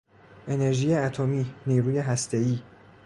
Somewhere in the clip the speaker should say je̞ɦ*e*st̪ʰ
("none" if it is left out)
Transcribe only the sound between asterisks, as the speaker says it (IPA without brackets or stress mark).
æ